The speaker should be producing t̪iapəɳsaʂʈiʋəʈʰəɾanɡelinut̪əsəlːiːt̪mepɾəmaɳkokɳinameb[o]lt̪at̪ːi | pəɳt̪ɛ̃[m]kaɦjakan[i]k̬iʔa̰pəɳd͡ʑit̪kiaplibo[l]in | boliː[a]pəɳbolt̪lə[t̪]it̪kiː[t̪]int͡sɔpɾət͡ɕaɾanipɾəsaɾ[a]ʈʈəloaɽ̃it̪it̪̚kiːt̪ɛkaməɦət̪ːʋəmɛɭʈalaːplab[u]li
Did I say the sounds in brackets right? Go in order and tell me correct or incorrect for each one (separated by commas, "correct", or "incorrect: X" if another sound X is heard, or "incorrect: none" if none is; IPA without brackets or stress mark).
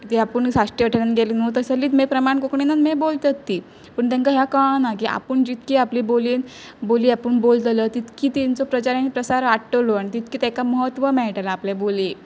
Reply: correct, incorrect: ŋ, incorrect: a, correct, correct, correct, correct, correct, incorrect: o